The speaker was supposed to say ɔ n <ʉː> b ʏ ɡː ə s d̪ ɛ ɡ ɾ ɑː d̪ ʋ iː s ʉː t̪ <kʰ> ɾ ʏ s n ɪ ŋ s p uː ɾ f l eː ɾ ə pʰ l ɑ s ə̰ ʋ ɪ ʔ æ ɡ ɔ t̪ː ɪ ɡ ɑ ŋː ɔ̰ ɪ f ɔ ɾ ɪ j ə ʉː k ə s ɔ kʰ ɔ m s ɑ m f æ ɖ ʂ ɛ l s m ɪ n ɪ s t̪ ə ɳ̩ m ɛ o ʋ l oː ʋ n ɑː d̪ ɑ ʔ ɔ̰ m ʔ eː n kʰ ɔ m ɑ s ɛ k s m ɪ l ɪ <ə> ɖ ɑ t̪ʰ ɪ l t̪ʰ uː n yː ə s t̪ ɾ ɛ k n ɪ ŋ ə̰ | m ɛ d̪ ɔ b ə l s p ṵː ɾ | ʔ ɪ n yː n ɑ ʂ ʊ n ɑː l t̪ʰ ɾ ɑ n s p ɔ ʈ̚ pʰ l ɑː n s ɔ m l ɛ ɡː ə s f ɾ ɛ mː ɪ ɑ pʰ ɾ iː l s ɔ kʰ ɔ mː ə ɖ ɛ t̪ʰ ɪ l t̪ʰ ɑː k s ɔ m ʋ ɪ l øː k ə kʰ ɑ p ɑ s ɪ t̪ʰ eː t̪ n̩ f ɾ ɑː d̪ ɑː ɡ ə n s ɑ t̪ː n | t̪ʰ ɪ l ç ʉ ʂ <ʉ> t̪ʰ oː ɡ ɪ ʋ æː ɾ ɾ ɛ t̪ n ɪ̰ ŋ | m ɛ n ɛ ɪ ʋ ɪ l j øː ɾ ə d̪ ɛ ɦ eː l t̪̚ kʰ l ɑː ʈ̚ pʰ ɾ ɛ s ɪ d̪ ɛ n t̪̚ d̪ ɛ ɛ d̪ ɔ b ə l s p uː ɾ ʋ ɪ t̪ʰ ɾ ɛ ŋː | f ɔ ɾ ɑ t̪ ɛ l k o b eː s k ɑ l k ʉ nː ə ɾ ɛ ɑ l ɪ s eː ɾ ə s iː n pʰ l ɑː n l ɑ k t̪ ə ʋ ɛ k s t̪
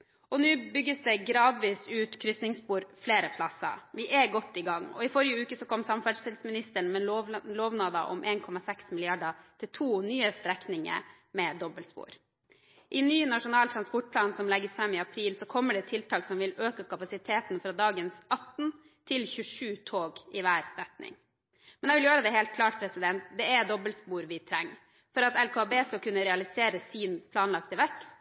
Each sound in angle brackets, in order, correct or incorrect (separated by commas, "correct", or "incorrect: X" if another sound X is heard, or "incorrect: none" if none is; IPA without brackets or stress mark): correct, correct, incorrect: ɑ, incorrect: ʉː